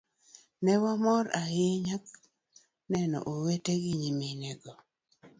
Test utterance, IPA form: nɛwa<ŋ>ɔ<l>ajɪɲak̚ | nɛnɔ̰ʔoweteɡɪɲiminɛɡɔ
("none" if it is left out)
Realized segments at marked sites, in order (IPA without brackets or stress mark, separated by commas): m, ɾ